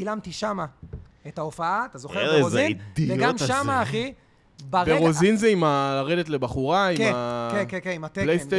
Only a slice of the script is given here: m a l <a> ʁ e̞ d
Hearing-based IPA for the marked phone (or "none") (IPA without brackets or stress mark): a